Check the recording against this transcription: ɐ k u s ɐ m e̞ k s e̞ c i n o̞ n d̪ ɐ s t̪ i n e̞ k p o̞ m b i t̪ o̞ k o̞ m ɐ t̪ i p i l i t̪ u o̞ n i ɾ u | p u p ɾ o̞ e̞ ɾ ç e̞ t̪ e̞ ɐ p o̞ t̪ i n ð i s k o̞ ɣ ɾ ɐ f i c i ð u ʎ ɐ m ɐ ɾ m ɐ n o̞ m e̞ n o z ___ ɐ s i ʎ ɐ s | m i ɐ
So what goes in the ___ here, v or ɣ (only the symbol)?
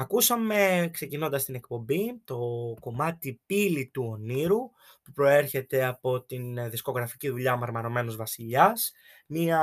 v